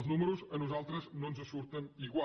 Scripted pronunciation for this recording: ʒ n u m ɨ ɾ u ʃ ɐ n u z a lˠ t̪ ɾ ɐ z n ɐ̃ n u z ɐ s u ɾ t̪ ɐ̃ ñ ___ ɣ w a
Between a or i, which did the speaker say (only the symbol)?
i